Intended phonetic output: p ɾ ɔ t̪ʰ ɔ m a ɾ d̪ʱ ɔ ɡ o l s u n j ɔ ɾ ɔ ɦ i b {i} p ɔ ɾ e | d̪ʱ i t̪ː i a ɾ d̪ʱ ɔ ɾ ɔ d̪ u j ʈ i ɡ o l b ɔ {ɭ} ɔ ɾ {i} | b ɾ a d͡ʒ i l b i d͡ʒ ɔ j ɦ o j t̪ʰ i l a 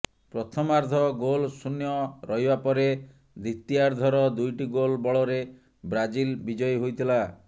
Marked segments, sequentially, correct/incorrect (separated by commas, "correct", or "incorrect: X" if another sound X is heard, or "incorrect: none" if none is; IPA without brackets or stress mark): incorrect: a, correct, incorrect: e